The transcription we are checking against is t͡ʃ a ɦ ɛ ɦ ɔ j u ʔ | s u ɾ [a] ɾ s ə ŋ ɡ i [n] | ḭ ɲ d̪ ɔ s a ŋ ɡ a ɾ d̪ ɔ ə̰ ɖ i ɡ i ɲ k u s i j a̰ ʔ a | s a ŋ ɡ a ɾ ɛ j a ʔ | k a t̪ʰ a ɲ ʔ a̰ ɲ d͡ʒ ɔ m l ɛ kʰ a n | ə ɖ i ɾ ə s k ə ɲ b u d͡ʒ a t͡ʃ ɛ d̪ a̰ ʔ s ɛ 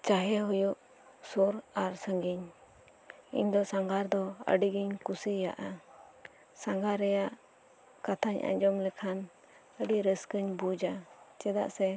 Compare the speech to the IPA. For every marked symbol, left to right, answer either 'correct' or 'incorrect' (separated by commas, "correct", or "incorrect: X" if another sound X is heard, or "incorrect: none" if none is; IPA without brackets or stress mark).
correct, incorrect: ɲ